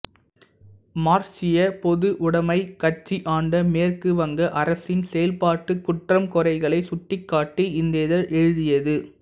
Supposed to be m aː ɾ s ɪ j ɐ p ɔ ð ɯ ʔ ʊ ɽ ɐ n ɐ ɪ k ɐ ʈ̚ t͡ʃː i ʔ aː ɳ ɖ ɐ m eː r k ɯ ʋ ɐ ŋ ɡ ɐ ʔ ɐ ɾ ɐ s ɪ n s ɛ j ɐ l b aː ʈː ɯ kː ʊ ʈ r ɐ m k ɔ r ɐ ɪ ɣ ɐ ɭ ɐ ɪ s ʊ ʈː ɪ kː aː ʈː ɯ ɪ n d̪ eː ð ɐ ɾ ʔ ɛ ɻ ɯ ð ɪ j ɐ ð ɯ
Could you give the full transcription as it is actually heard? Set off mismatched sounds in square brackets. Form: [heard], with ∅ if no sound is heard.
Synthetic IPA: m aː ɾ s ɪ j ɐ p ɔ ð ɯ ʔ ʊ ɽ ɐ [m] ɐ ɪ k ɐ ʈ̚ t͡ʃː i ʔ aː ɳ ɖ ɐ m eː r k ɯ ʋ ɐ ŋ ɡ ɐ ʔ ɐ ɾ ɐ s ɪ n s ɛ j ɐ l [p] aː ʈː ɯ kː ʊ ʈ r ɐ m k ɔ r ɐ ɪ ɣ ɐ ɭ ɐ ɪ s ʊ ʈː ɪ kː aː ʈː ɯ ɪ n d̪ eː ð ɐ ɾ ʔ ɛ ɻ ɯ ð ɪ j ɐ ð ɯ

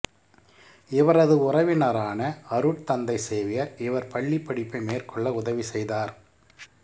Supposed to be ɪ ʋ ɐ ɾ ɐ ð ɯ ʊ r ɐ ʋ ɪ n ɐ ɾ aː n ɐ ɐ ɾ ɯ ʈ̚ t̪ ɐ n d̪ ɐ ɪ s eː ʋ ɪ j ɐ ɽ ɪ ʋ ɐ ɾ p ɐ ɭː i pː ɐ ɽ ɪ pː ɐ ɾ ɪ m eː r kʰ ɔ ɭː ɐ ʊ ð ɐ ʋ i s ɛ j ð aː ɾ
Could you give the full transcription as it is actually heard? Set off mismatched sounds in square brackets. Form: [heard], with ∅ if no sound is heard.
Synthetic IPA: ɪ ʋ ɐ ɾ ɐ ð ɯ ʊ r ɐ ʋ ɪ n ɐ ɾ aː n ɐ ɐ ɾ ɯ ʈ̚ t̪ ɐ n d̪ ɐ ɪ s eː ʋ ɪ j ɐ [ɾ] ɪ ʋ ɐ ɾ p ɐ ɭː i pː ɐ ɽ ɪ pː ɐ [∅] ɪ m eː r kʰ ɔ ɭː ɐ ʊ ð ɐ ʋ i s ɛ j ð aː ɾ

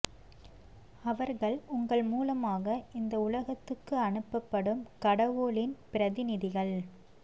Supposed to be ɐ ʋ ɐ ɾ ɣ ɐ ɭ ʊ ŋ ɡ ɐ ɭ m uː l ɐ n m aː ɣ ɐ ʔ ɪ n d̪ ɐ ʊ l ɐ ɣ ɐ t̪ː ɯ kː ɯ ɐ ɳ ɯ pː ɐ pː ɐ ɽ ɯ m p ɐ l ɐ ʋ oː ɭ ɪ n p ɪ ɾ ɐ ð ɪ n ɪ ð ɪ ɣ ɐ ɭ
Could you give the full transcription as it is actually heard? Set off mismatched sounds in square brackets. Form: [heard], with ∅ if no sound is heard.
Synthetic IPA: ɐ ʋ ɐ ɾ ɣ ɐ ɭ ʊ ŋ ɡ ɐ ɭ m uː l ɐ [∅] m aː ɣ ɐ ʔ ɪ n d̪ ɐ ʊ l ɐ ɣ ɐ t̪ː ɯ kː ɯ ɐ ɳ ɯ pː ɐ pː ɐ ɽ ɯ m [k] ɐ [ɽ] ɐ ʋ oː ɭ ɪ n p ɪ ɾ ɐ ð ɪ n ɪ ð ɪ ɣ ɐ ɭ

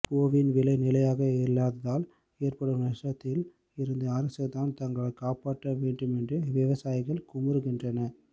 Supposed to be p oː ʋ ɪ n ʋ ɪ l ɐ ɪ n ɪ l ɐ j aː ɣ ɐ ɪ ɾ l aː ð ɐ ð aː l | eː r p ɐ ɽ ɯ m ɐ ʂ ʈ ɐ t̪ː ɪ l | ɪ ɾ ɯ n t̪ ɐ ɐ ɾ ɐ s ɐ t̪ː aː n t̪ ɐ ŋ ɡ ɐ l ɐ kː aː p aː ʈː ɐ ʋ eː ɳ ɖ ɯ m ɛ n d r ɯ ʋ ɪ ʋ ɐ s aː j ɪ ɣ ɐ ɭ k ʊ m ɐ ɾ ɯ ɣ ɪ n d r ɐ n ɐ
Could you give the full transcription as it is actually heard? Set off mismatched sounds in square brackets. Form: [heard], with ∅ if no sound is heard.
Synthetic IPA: p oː ʋ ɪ n ʋ ɪ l ɐ ɪ n ɪ l ɐ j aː ɣ ɐ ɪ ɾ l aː ð ɐ ð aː l | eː r p ɐ ɽ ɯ m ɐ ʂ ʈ ɐ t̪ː ɪ l | ɪ ɾ ɯ n [d̪] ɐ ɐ ɾ ɐ s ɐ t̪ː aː n t̪ ɐ ŋ ɡ ɐ [ɭ] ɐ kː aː p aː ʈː ɐ ʋ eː ɳ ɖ ɯ m ɛ n d r ɯ ʋ ɪ ʋ ɐ s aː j ɪ ɣ ɐ ɭ k ʊ m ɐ ɾ ɯ ɣ ɪ n d r ɐ n ɐ

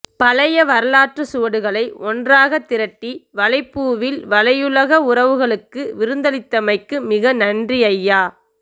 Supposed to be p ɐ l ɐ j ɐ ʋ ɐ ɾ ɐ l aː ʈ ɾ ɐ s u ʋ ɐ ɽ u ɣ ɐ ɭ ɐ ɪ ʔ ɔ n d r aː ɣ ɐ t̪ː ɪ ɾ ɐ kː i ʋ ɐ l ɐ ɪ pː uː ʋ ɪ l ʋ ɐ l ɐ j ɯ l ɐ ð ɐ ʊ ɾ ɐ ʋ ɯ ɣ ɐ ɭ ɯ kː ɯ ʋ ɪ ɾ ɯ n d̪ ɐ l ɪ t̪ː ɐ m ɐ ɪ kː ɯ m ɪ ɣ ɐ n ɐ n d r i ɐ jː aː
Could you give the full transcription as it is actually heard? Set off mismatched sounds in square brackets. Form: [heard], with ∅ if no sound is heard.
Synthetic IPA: p ɐ l ɐ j ɐ ʋ ɐ ɾ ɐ l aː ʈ [r] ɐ s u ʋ ɐ ɽ [ɯ] ɣ ɐ ɭ ɐ ɪ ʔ ɔ n d r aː ɣ ɐ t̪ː ɪ ɾ ɐ [ʈː] i ʋ ɐ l ɐ ɪ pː uː ʋ ɪ l ʋ ɐ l ɐ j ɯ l ɐ [ɣ] ɐ ʊ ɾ ɐ ʋ ɯ ɣ ɐ ɭ ɯ kː ɯ ʋ ɪ ɾ ɯ n d̪ ɐ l ɪ t̪ː ɐ m ɐ ɪ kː ɯ m ɪ ɣ ɐ n ɐ n d r i ɐ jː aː

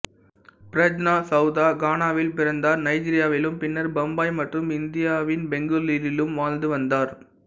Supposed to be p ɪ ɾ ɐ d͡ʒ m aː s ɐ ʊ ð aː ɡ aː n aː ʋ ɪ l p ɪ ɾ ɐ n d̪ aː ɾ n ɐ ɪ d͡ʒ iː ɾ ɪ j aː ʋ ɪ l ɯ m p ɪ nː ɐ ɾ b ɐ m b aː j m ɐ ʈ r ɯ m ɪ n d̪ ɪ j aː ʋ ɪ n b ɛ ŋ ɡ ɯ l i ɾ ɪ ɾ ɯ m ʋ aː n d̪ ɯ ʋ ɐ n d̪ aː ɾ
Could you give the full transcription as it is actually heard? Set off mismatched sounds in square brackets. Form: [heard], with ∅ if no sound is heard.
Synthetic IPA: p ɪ ɾ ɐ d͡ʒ [n] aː s ɐ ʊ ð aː ɡ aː n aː ʋ ɪ l p ɪ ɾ ɐ n d̪ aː ɾ n ɐ ɪ d͡ʒ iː ɾ ɪ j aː ʋ ɪ l ɯ m p ɪ nː ɐ ɾ b ɐ m b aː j m ɐ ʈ r ɯ m ɪ n d̪ ɪ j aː ʋ ɪ n b ɛ ŋ ɡ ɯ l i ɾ ɪ [l] ɯ m ʋ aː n d̪ ɯ ʋ ɐ n d̪ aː ɾ

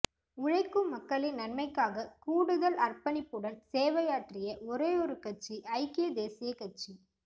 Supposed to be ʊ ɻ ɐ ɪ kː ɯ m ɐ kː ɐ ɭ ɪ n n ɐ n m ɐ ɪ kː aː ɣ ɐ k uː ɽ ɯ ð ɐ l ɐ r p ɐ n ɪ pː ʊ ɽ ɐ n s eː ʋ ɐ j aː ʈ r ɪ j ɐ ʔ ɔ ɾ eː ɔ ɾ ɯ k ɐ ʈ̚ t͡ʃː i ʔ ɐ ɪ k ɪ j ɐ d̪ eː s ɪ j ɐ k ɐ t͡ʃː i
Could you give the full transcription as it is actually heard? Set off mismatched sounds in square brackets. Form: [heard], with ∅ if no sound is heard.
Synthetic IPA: ʊ ɻ ɐ ɪ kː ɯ m ɐ kː ɐ ɭ ɪ n n ɐ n m ɐ ɪ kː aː ɣ ɐ k uː ɽ ɯ ð ɐ l ɐ r p ɐ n ɪ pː [ɯ] ɽ ɐ n s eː ʋ ɐ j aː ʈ r ɪ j ɐ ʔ ɔ ɾ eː ɔ ɾ ɯ k ɐ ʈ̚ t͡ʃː i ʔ ɐ ɪ k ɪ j ɐ d̪ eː s ɪ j ɐ k ɐ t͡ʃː i

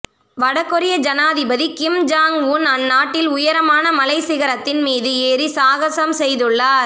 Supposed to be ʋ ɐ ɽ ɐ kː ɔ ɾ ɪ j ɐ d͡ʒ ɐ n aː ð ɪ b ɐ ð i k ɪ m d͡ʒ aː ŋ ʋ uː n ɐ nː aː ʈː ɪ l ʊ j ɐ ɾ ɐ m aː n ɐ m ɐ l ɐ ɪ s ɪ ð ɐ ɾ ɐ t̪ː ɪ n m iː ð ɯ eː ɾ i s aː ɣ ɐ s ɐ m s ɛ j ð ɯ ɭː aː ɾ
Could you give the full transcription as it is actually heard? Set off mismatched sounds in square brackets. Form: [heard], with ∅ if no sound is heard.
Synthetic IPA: ʋ ɐ ɽ ɐ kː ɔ ɾ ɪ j ɐ d͡ʒ ɐ n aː ð ɪ b ɐ ð i k ɪ m d͡ʒ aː ŋ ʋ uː n ɐ nː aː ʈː ɪ l ʊ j ɐ ɾ ɐ m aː n ɐ m ɐ l ɐ ɪ s ɪ [ɣ] ɐ ɾ ɐ t̪ː ɪ n m iː ð ɯ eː ɾ i s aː ɣ ɐ s ɐ m s ɛ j ð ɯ ɭː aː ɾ

